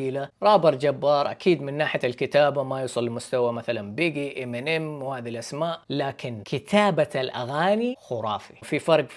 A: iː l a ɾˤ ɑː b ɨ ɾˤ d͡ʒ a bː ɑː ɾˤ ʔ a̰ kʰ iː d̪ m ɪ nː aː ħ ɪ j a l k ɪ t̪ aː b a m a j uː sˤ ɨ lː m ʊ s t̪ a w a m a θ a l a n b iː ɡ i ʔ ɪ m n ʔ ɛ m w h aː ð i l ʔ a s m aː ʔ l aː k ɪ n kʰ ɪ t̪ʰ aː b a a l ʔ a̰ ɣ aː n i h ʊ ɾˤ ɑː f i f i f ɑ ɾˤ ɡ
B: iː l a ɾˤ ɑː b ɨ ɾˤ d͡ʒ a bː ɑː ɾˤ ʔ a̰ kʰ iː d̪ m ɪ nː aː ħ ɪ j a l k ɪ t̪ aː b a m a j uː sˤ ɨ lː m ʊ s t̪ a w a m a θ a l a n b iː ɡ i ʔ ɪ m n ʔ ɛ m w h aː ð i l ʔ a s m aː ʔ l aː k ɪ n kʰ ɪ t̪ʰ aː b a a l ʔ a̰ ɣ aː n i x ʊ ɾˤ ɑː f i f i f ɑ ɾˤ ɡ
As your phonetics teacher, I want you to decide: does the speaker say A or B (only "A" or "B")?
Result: B